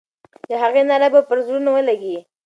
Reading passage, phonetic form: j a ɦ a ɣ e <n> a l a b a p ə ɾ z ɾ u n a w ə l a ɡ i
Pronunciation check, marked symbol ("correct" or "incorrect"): correct